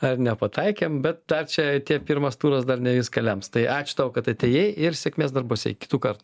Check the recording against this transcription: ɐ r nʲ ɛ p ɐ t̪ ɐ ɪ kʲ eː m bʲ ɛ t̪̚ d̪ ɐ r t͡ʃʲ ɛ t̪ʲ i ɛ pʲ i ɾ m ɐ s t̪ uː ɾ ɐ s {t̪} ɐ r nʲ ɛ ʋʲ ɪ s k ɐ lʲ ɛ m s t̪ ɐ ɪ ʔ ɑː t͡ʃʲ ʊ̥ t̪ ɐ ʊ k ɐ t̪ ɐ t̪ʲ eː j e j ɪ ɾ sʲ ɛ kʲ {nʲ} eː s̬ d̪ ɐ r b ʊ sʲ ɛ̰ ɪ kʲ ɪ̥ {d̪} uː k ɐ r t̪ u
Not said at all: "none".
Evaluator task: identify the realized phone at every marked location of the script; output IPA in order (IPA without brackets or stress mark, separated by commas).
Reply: d̪, mʲ, t̪